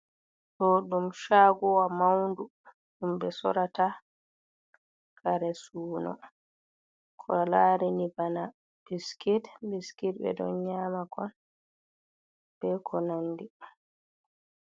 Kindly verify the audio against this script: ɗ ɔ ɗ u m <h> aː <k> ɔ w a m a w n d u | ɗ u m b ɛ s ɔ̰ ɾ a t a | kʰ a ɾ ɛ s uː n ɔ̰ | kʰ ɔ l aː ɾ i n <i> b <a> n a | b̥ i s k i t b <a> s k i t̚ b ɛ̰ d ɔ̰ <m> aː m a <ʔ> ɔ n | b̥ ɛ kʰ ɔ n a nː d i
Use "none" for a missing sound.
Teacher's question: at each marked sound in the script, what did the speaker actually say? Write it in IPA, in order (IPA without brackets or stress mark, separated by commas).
ʃ, ɡ, i, a, i, ɲ, k